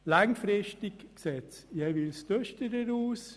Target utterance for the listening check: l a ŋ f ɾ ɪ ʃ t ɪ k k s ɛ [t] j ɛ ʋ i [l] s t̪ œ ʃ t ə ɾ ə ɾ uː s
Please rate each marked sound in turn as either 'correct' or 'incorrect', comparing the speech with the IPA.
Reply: incorrect: t͡s, correct

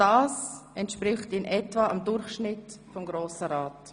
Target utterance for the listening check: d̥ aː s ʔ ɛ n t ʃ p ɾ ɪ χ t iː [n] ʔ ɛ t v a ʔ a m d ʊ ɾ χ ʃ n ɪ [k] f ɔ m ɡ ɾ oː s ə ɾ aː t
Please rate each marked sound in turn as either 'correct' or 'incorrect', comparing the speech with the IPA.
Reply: correct, incorrect: t

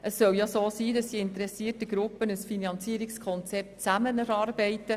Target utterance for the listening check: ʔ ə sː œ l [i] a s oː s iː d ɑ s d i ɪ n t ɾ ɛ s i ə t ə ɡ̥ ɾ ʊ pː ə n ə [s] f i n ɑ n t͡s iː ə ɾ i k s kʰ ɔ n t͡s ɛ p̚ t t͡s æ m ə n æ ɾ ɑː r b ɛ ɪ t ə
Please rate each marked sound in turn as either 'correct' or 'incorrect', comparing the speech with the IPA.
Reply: incorrect: j, correct

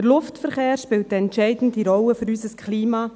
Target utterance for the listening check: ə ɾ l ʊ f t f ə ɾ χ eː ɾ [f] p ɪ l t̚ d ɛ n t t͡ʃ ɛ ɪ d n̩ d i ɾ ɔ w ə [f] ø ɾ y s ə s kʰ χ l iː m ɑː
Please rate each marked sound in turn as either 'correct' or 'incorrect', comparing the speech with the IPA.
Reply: incorrect: ʃ, correct

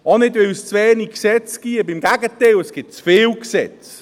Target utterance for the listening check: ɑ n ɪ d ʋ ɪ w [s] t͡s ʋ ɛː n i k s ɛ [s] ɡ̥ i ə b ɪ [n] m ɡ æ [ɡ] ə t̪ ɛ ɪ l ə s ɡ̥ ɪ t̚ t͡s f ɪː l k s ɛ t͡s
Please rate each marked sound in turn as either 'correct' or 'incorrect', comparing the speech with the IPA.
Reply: correct, incorrect: t͡s, incorrect: none, correct

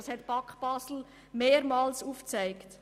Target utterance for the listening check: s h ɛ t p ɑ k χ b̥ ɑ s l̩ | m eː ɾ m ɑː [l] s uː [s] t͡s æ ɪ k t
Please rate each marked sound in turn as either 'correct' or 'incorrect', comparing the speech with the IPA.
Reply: correct, incorrect: f

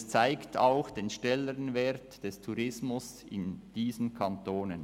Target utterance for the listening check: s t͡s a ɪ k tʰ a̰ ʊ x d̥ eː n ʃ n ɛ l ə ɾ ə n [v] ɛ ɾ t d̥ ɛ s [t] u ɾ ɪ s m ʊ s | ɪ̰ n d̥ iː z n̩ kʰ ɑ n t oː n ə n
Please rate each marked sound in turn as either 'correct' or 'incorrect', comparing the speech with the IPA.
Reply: correct, incorrect: tʰ

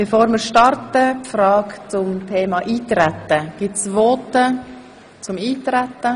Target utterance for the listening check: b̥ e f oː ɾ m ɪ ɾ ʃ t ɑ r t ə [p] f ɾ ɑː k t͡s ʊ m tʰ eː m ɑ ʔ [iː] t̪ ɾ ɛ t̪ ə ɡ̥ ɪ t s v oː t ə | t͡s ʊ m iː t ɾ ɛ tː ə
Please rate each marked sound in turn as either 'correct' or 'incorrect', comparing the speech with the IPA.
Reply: correct, correct

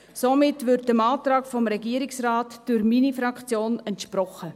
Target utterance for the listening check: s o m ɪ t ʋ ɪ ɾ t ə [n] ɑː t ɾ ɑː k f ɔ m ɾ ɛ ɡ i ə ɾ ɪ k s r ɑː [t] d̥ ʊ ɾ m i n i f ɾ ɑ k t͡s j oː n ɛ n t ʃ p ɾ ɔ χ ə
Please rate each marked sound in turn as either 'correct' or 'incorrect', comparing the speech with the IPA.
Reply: incorrect: m, correct

